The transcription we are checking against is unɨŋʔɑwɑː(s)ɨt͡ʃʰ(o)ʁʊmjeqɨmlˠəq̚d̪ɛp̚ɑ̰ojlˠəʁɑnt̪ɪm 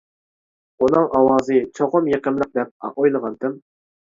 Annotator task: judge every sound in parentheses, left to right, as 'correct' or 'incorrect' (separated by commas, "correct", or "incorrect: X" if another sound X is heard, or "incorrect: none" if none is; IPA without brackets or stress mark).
incorrect: z, correct